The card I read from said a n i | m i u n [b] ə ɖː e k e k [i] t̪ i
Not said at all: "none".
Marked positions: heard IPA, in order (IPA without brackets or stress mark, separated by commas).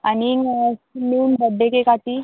b, a